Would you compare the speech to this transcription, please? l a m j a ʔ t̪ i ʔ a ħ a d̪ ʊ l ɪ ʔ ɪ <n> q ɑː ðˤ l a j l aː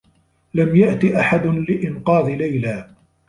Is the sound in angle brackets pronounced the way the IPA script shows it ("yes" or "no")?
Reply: yes